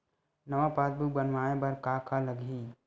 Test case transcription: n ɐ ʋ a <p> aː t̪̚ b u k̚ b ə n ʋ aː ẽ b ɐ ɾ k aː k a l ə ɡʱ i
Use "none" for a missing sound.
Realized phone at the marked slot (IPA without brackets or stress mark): p